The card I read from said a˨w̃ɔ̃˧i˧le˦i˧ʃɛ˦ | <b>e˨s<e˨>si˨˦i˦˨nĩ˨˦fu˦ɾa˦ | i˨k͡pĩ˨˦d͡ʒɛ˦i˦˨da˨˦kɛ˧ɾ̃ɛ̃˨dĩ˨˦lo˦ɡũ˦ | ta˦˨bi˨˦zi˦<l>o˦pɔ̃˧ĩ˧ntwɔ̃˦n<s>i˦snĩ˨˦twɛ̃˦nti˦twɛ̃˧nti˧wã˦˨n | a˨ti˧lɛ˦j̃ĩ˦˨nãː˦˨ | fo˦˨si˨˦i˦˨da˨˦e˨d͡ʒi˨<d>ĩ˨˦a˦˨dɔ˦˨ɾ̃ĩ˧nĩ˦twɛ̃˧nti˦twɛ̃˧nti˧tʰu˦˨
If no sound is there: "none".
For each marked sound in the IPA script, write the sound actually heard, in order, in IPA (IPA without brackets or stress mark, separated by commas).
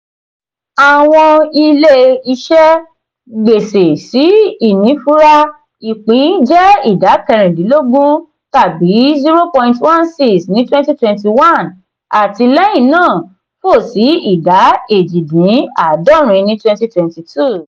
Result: ɡ͡b, e˨, ɾ, s, d